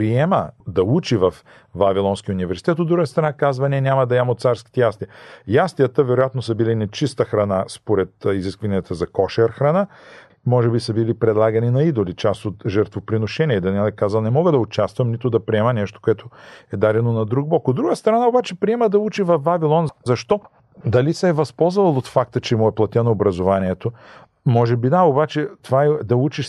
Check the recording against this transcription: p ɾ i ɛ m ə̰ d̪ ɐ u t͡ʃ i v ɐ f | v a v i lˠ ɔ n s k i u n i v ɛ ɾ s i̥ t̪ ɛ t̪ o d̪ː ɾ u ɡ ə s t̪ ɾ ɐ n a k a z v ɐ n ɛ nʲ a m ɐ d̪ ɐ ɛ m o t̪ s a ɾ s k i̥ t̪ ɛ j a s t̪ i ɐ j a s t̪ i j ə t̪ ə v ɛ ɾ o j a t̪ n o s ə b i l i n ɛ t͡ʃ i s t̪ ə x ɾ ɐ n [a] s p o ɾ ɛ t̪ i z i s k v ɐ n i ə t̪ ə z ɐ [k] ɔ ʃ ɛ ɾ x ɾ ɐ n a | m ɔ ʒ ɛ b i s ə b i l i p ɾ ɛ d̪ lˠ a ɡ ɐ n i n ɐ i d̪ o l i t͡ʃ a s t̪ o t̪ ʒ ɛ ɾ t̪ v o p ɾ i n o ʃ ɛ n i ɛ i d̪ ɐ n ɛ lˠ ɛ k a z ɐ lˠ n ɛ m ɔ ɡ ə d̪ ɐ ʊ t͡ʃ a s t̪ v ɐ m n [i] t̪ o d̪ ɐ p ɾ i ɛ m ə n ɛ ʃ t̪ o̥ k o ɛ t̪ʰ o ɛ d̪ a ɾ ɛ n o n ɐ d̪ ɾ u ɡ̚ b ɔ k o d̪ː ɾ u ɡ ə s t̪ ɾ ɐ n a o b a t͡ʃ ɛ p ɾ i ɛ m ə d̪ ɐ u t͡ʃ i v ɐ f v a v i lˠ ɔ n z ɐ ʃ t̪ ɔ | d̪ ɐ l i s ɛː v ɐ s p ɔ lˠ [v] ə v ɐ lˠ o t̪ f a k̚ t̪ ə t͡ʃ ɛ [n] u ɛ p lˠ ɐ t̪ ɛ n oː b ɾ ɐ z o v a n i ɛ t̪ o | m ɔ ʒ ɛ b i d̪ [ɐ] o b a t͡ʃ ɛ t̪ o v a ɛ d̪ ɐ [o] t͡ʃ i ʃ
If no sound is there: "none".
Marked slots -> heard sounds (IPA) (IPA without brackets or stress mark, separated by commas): a, k, i, z, m, a, u